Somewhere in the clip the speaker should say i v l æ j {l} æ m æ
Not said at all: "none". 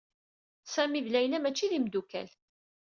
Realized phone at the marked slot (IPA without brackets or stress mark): l